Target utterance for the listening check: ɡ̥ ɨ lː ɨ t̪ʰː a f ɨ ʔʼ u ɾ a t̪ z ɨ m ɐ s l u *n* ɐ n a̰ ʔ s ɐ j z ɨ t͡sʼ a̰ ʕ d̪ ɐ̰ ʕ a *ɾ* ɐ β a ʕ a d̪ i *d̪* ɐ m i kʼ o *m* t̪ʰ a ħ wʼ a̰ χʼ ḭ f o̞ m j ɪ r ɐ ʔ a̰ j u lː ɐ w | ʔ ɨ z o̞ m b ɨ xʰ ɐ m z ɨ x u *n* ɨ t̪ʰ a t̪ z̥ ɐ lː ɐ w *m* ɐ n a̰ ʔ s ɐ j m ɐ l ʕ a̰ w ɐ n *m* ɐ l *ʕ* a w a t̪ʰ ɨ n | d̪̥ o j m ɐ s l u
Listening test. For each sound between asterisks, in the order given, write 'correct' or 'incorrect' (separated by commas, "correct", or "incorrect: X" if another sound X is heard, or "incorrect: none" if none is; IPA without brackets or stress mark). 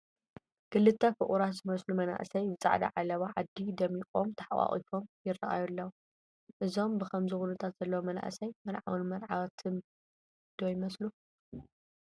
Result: incorrect: m, incorrect: l, correct, correct, correct, correct, correct, correct